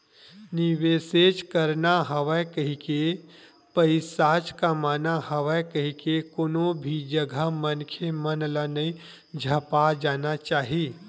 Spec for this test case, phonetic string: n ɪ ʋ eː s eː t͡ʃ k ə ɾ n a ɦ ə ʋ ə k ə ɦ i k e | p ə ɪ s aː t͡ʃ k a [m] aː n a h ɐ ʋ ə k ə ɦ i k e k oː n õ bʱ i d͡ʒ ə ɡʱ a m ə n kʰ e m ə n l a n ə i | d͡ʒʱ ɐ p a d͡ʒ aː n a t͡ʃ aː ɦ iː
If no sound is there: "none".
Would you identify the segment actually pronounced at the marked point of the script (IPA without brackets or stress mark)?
m